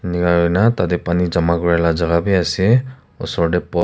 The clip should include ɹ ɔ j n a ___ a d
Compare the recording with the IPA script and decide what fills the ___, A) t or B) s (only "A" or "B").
A